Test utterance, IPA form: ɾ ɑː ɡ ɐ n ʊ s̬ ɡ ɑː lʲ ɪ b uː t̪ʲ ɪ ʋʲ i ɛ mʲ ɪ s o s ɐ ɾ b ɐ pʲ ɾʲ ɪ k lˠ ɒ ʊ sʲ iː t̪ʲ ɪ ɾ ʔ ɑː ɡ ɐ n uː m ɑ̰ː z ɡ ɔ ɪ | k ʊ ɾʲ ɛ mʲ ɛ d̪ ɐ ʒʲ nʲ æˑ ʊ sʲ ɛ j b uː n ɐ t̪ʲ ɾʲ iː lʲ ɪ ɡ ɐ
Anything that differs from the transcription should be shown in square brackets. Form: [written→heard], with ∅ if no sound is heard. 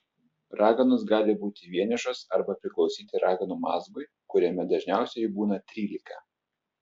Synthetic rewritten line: ɾ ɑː ɡ ɐ n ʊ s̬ ɡ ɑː lʲ ɪ b uː t̪ʲ ɪ ʋʲ i ɛ [mʲ→nʲ] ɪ [s→ʃ] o s ɐ ɾ b ɐ pʲ ɾʲ ɪ k lˠ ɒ ʊ sʲ iː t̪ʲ ɪ ɾ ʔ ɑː ɡ ɐ n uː m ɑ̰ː z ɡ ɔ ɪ | k ʊ ɾʲ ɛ mʲ ɛ d̪ ɐ ʒʲ nʲ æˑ ʊ sʲ ɛ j b uː n ɐ t̪ʲ ɾʲ iː lʲ ɪ [ɡ→k] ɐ